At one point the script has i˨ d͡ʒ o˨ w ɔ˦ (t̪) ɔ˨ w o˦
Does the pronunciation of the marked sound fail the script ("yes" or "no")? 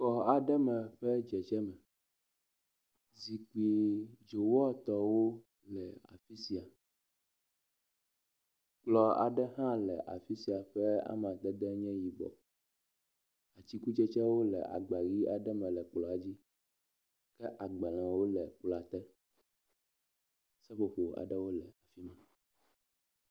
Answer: no